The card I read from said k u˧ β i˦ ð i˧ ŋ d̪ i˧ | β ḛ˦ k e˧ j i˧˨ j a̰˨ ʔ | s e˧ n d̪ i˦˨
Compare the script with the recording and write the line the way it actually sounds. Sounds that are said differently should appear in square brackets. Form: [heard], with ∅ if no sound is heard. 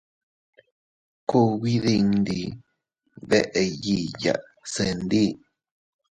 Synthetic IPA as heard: k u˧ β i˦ ð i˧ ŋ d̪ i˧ | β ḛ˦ [ʔ] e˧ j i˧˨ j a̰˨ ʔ | s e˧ n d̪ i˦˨